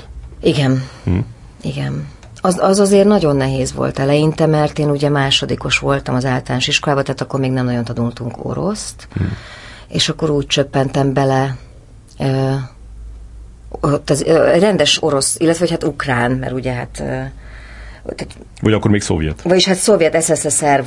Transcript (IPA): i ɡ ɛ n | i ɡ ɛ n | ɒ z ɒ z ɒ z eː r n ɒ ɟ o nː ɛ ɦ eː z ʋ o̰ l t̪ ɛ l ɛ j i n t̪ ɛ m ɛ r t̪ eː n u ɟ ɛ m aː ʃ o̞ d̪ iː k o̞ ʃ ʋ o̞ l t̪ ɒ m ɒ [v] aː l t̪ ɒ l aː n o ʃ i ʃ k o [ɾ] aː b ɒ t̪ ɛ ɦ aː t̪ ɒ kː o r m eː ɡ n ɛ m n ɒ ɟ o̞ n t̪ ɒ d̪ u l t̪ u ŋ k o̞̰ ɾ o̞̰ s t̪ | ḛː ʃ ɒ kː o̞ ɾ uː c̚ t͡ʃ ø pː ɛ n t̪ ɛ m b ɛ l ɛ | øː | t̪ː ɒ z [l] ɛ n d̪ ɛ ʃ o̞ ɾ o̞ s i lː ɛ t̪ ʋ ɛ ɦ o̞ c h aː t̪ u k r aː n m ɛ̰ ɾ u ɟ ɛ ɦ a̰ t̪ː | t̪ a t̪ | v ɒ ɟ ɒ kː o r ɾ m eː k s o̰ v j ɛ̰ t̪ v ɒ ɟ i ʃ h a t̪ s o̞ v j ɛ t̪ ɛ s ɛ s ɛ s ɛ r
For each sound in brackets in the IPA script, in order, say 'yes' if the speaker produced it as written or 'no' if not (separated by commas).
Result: no, no, no